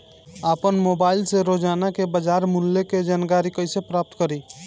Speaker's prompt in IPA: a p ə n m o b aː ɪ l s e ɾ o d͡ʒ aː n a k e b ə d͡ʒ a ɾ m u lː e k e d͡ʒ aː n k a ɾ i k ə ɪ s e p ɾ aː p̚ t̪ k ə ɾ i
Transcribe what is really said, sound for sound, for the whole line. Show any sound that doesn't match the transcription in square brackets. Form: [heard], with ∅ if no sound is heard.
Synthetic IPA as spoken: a p ə n m o b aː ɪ l s e ɾ o d͡ʒ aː n a k e b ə d͡ʒ a ɾ m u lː e k e d͡ʒ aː n k a ɾ i k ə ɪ s e p ɾ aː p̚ t̪ k ə ɾ i